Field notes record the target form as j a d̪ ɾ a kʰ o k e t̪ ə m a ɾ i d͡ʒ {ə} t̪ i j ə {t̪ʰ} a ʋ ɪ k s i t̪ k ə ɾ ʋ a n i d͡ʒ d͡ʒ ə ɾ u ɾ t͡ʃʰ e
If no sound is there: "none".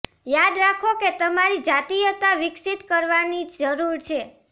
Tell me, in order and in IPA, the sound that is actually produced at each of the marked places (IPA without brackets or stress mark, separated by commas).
a, t̪